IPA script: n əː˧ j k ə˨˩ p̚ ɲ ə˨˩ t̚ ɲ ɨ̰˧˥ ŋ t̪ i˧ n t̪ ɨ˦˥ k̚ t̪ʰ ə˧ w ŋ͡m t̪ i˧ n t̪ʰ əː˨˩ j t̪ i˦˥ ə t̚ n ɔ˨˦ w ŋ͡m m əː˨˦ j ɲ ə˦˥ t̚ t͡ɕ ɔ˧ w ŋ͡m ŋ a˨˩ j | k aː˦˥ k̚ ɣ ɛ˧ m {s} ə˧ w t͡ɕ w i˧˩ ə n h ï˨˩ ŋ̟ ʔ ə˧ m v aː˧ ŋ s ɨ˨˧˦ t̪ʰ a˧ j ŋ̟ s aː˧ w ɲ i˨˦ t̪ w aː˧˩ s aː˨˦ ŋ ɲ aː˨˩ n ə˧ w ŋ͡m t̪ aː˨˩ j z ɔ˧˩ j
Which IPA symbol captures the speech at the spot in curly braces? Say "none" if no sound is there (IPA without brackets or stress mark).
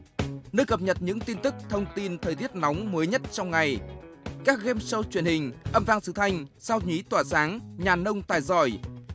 s